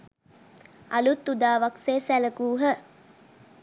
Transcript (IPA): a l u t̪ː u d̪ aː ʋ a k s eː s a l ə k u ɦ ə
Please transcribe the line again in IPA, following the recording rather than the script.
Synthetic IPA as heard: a l u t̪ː u d̪ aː ʋ a k s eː s æ l ə k uː ɦ ə